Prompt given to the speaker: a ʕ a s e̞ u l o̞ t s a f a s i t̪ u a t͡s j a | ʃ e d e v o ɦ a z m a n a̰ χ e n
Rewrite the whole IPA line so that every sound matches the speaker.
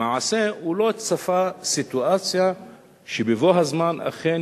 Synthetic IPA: a ʕ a s e̞ u l o̞ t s a f a s i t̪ u a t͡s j a | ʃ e b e v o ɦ a z m a n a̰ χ e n